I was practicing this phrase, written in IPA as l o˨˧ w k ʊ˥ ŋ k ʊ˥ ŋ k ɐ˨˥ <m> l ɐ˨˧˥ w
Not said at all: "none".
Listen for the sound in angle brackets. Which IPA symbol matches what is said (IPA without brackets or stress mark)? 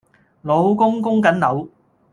n